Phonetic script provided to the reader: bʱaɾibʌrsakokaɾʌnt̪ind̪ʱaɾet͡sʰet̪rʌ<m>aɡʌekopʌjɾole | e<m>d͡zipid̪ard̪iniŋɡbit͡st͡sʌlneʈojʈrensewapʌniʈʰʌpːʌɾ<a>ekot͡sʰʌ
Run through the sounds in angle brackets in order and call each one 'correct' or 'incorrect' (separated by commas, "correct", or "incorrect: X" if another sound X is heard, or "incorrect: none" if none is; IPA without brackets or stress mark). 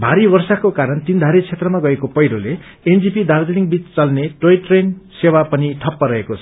correct, incorrect: n, incorrect: ʌ